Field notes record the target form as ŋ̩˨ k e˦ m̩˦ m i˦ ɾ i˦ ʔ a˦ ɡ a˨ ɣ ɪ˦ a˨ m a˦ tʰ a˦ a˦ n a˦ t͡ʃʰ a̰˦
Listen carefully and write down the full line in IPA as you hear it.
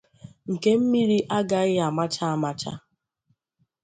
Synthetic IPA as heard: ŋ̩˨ k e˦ m̩˦ m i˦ ɾ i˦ ʔ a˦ ɡ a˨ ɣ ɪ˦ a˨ m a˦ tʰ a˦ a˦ m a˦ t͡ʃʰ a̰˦